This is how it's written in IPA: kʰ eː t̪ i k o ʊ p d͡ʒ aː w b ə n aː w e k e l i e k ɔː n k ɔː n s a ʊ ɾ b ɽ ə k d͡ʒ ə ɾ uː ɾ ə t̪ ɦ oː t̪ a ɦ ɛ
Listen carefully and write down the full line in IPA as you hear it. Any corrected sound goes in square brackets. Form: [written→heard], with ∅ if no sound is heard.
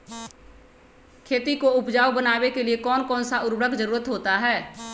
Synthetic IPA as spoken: kʰ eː t̪ i k o ʊ p d͡ʒ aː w b ə n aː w e k e l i e k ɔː n k ɔː n s a ʊ ɾ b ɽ ə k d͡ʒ ə ɾ uː ɾ ə t̪ ɦ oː t̪ a ɦ [ɛ→ɛː]